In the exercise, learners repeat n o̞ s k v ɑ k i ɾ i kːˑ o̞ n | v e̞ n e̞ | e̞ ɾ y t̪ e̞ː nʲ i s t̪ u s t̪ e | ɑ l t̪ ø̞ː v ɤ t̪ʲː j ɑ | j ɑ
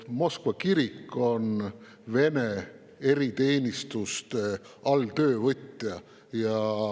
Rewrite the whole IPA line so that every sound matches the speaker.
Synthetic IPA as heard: m o̞ s k v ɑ k i ɾ i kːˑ o̞ n | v e̞ n e̞ | e̞ ɾ i t̪ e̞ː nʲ i s t̪ u s t̪ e | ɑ l t̪ ø̞ː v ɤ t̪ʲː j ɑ | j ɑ